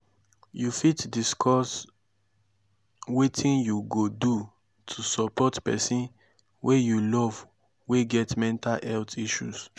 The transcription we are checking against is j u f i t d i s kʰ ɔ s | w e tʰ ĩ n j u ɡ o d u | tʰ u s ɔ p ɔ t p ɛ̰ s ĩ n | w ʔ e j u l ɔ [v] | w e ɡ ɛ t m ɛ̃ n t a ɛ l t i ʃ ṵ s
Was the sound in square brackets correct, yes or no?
yes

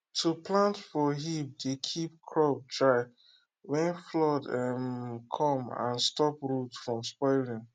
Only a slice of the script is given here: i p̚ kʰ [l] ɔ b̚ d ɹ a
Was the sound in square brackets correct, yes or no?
no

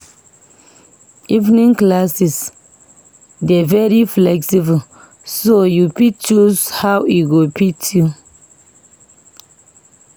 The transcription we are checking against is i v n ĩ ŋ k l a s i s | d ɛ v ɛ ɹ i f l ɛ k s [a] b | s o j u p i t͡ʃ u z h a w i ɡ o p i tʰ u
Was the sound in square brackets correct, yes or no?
no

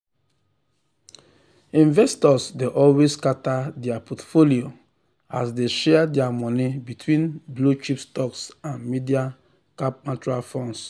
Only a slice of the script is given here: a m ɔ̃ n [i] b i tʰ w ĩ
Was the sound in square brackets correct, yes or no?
yes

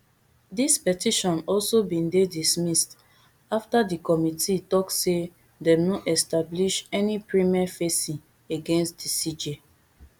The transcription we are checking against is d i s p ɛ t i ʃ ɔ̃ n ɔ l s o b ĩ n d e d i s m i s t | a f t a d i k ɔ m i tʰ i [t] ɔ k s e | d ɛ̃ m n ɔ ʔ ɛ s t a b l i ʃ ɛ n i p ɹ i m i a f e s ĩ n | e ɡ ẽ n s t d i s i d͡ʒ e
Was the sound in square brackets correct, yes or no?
yes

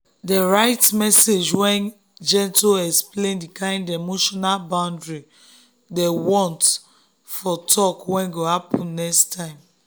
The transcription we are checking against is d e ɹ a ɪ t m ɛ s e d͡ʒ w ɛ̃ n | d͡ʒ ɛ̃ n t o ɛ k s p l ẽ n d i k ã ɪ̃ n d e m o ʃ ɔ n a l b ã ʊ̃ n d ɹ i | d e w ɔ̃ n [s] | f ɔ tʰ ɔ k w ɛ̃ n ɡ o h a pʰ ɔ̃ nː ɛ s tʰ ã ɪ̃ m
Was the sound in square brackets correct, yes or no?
no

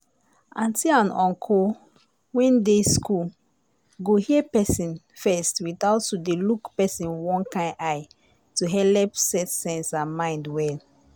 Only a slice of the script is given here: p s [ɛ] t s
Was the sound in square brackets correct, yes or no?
yes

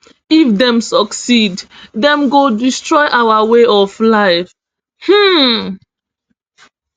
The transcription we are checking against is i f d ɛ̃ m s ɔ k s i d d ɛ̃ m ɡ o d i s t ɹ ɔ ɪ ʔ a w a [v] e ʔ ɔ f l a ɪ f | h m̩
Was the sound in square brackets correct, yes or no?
no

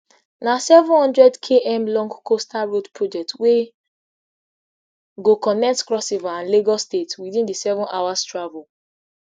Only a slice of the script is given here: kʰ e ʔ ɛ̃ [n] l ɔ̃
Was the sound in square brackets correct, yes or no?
no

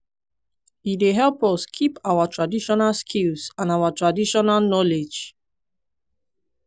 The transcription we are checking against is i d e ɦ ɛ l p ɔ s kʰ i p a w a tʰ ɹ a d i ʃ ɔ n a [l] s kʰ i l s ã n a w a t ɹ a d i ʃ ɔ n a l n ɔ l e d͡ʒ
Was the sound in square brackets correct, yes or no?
yes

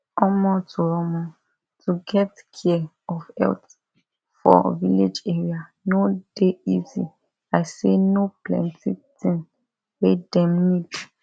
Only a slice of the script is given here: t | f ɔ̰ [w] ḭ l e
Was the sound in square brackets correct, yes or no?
no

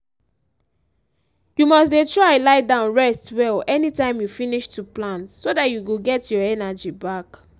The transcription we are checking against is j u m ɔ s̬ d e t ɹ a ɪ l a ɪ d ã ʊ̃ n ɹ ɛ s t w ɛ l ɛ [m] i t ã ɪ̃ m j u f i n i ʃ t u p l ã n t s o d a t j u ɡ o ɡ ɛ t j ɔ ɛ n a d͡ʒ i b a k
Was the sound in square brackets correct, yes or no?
no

